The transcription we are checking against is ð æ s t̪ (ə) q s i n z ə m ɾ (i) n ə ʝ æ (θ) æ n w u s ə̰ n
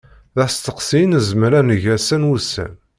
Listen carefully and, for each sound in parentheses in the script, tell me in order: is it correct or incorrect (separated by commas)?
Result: correct, incorrect, incorrect